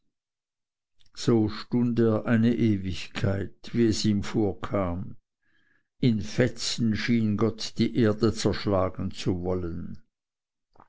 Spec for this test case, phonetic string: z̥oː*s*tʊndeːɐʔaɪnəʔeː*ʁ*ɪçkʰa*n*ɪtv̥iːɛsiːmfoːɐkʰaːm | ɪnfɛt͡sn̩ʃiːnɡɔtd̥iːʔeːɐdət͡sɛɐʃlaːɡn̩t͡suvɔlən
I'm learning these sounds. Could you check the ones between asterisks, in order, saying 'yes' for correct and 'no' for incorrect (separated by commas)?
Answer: no, no, no